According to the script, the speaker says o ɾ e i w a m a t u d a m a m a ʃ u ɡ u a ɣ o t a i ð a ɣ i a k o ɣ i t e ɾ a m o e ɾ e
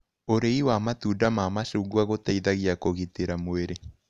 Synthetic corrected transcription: o ɾ e i w a m a t u d a m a m a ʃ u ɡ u a ɣ o t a i ð a ɣ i a k o ɣ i t e ɾ a m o e ɾ e